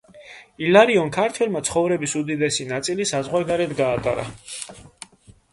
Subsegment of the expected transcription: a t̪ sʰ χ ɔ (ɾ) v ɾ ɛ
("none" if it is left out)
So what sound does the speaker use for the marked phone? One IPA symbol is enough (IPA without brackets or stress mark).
none